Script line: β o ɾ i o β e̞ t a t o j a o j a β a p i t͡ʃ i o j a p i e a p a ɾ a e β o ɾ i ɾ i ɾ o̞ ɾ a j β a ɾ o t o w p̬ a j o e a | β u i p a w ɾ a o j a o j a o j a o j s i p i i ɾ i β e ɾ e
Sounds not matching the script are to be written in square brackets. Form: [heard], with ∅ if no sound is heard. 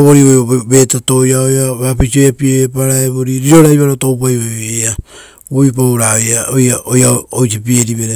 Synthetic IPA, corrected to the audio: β o ɾ i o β e̞ t a t o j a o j a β a p i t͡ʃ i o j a p i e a p a ɾ a e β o ɾ i ɾ i ɾ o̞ ɾ a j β a ɾ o t o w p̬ a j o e a | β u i p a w ɾ a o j a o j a o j a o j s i p i [e] ɾ i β e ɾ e